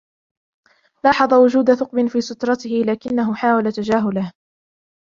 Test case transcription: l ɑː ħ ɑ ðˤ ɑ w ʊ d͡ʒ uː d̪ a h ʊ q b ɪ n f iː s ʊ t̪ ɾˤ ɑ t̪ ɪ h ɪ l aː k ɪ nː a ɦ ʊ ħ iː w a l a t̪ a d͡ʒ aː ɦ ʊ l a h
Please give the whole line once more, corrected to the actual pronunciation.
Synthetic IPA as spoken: l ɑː ħ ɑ ðˤ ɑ w ʊ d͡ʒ uː d̪ a θ ʊ q b ɪ n f iː s ʊ t̪ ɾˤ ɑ t̪ ɪ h ɪ l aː k ɪ nː a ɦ ʊ ħ aː w a l a t̪ a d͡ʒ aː ɦ ʊ l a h